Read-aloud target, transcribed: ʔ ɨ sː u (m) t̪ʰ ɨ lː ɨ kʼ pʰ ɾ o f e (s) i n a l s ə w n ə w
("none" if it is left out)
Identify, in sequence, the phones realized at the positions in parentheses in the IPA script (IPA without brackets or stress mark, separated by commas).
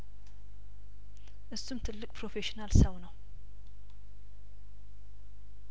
m, ʃ